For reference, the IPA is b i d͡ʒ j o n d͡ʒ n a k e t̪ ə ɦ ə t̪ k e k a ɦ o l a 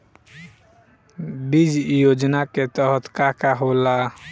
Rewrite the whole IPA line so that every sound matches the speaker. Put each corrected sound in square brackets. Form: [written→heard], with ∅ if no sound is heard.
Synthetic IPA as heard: b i d͡ʒ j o [n→∅] d͡ʒ n a k e t̪ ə ɦ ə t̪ k [e→a] k a ɦ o l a